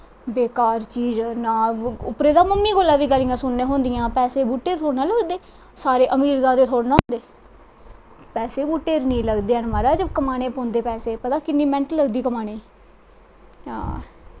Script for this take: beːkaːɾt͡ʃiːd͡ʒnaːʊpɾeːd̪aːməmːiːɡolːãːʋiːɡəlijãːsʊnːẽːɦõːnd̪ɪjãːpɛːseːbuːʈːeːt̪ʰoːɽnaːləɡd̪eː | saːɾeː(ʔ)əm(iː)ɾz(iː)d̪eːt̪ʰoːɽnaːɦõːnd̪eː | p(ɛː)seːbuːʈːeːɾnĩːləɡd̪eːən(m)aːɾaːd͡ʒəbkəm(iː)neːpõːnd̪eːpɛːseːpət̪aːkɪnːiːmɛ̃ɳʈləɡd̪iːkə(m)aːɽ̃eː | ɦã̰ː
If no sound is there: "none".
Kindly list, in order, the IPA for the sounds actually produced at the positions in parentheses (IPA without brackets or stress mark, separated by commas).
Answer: ʔ, iː, aː, ɛː, m, aː, m